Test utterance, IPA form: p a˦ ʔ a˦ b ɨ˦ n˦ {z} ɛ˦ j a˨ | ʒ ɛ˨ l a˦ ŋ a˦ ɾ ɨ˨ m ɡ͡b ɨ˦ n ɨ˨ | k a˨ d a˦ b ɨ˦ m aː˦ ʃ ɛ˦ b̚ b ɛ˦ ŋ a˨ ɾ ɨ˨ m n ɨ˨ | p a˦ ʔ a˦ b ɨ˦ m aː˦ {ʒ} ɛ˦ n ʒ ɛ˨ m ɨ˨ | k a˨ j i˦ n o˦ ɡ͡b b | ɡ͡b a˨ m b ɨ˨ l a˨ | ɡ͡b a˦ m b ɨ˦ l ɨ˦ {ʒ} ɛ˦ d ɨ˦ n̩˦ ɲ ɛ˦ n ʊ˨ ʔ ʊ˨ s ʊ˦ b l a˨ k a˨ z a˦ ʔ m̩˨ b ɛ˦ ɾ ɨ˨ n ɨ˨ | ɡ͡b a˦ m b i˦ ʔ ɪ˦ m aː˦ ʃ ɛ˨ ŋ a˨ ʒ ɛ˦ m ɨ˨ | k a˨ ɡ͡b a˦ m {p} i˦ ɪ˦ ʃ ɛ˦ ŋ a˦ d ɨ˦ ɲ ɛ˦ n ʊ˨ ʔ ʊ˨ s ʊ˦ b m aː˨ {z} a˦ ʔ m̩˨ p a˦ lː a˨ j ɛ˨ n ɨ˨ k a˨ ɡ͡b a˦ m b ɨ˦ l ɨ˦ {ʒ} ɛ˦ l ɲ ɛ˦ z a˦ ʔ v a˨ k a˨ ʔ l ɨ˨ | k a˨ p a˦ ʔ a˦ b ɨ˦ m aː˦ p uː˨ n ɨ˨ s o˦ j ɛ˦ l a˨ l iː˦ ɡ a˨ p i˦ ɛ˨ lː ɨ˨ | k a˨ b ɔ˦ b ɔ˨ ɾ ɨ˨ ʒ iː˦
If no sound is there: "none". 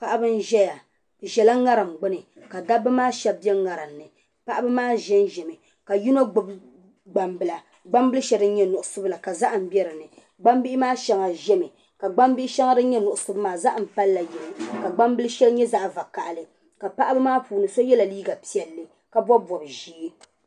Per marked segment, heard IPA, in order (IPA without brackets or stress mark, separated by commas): ʒ, ʒ, ʃ, b, z, ʃ